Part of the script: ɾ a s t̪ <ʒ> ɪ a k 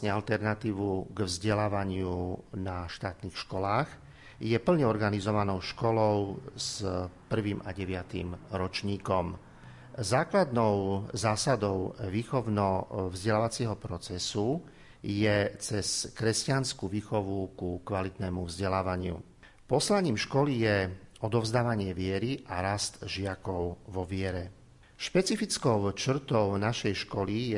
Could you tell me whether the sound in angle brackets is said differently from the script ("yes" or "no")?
no